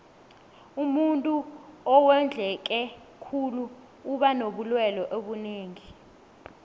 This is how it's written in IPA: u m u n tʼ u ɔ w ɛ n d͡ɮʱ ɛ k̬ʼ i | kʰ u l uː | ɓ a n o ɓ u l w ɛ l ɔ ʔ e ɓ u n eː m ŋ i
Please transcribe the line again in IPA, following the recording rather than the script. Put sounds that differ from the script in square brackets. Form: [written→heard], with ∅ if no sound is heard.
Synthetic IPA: u m u n tʼ u ɔ w ɛ n d͡ɮʱ ɛ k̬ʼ [i→ɛ] | kʰ u l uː | ɓ a n o ɓ u l w ɛ l ɔ ʔ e ɓ u n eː [m→∅] ŋ i